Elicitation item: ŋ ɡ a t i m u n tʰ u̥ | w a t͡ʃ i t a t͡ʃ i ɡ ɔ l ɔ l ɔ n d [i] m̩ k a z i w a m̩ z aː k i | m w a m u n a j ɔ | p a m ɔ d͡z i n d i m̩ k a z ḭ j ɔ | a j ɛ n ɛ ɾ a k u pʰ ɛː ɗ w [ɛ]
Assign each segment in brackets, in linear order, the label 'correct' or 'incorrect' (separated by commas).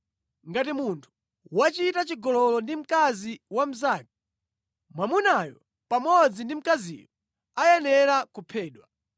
correct, incorrect